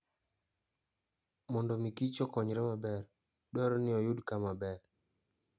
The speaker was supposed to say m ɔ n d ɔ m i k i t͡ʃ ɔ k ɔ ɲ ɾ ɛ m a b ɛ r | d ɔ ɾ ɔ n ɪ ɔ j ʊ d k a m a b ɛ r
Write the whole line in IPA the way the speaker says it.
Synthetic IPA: m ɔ n d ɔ m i k i t͡ʃ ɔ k ɔ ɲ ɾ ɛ m a b ɛ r | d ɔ ɾ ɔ n ɪ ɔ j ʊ d k a m a b ɛ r